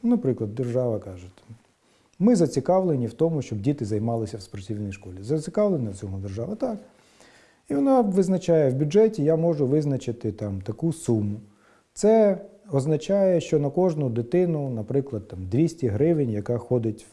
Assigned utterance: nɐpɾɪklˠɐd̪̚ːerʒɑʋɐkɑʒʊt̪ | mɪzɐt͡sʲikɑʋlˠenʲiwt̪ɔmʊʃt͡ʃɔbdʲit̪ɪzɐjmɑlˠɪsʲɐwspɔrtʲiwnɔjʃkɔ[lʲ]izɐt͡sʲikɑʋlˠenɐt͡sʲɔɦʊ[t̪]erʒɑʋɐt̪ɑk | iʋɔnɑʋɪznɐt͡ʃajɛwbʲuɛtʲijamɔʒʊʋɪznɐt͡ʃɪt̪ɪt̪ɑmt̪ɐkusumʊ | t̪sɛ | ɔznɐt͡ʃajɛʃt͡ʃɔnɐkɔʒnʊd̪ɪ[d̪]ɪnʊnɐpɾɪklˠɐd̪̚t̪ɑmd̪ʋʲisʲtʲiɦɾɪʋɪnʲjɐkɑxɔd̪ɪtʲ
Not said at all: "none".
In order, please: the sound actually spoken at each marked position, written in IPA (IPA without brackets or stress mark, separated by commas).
lʲ, d̪, t̪